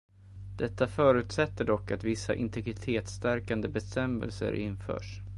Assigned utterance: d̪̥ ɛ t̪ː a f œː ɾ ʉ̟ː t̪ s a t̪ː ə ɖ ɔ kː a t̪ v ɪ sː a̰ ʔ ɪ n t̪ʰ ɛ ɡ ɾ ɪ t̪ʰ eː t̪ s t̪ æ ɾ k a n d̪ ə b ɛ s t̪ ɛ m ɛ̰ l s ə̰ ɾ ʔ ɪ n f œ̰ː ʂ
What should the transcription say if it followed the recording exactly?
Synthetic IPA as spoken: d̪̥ ɛ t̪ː a f œː ɾ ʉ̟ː t̪ s ɛ t̪ː ə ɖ ɔ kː a t̪ v ɪ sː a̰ ʔ ɪ n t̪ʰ ɛ ɡ ɾ ɪ t̪ʰ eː t̪ s t̪ æ ɾ k a n d̪ ə b ɛ s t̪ ɛ m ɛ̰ l s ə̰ ɾ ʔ ɪ n f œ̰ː ʂ